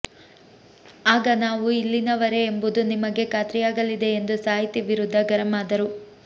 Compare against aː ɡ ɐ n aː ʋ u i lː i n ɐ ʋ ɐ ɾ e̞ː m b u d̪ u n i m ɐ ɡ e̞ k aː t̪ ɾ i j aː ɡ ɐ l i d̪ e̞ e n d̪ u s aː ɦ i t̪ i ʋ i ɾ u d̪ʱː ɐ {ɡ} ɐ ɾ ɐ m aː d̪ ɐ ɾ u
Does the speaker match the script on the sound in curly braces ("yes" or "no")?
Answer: yes